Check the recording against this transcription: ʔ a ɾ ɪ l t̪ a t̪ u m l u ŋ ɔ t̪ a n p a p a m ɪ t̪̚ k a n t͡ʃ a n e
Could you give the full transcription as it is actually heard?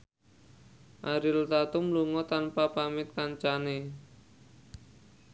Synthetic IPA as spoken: ʔ a ɾ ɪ l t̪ a t̪ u m l u ŋ ɔ t̪ a n p a p a m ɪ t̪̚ k a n t͡ʃ a n e

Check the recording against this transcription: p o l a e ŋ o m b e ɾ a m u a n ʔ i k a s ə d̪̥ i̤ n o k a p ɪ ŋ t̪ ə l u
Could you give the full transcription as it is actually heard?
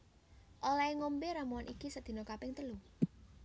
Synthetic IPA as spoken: ʔ o l a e ŋ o m b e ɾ a m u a n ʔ i k i s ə d̪̥ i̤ n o k a p ɪ ŋ t̪ ə l u

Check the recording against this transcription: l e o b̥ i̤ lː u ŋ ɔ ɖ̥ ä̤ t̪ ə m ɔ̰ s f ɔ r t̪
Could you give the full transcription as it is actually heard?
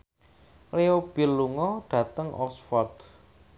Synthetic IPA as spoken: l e o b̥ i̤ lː u ŋ ɔ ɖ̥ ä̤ t̪ ə ŋ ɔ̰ s f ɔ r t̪

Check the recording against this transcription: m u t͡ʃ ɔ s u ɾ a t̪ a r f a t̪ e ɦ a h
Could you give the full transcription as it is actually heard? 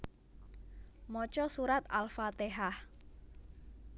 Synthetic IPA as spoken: m ɔ t͡ʃ ɔ s u ɾ a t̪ a l f a t̪ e ɦ a h

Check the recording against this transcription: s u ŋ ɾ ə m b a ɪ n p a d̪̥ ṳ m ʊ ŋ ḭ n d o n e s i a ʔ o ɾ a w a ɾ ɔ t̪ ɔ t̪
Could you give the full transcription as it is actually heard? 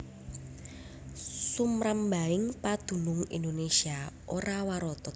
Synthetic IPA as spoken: s u m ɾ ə m b a ɪ ŋ p a d̪̥ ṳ n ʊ ŋ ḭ n d o n e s i a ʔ o ɾ a w a ɾ ɔ t̪ ɔ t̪

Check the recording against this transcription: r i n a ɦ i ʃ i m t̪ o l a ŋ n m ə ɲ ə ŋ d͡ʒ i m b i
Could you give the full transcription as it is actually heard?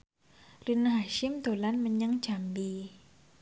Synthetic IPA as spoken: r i n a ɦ a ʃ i m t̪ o l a n m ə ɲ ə ŋ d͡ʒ a m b i

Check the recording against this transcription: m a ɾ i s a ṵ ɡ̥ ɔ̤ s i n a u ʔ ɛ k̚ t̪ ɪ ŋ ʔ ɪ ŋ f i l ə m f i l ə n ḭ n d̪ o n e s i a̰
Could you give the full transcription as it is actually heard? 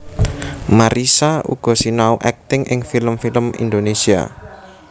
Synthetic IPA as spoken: m a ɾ i s a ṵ ɡ̥ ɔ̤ s i n a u ʔ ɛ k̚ t̪ ɪ ŋ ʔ ɪ ŋ f i l ə m f i l ə m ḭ n d̪ o n e s i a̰

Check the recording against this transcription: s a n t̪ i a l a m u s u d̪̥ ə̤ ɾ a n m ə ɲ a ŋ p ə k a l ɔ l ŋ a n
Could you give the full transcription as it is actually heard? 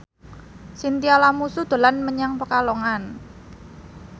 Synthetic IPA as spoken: s i n t̪ i a l a m u s u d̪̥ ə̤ l a n m ə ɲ a ŋ p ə k a l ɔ ŋ a n

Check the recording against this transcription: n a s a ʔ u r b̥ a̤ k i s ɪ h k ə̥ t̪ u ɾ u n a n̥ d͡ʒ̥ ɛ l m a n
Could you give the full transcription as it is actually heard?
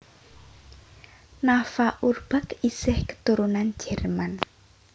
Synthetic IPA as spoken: n a f a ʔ u r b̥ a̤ k i s ɪ h k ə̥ t̪ u ɾ u n a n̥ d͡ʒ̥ ɛ r m a n

